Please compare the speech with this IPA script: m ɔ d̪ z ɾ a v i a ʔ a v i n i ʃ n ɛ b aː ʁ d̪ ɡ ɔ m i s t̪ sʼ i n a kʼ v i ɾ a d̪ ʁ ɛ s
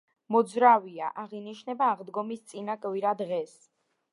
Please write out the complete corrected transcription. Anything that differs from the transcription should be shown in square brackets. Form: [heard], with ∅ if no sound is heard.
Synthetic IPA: m ɔ d̪ z ɾ a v i a ʔ a [ʁ] i n i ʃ n ɛ b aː ʁ d̪ ɡ ɔ m i s t̪ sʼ i n a kʼ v i ɾ a d̪ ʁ ɛ s